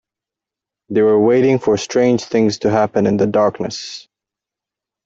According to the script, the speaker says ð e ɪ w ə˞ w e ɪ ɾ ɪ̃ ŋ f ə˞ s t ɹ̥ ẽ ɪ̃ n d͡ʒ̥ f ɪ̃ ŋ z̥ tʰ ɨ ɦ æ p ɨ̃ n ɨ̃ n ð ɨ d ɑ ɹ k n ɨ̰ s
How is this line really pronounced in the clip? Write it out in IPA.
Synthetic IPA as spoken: ð e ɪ w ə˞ w e ɪ ɾ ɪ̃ ŋ f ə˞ s t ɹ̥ ẽ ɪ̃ n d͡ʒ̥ θ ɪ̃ ŋ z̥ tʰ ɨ ɦ æ p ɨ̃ n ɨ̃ n ð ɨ d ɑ ɹ k n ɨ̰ s